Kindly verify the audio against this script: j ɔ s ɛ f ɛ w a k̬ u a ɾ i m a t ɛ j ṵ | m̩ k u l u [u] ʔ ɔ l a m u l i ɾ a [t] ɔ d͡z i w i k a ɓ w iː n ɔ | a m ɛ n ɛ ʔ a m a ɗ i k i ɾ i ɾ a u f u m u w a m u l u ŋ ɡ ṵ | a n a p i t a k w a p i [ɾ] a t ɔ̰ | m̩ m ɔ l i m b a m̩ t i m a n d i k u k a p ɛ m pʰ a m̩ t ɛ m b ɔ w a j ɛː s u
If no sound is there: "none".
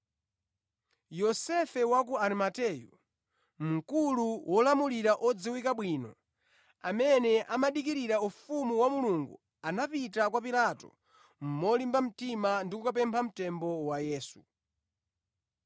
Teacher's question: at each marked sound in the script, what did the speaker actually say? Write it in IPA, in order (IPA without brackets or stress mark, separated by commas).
w, ʔ, l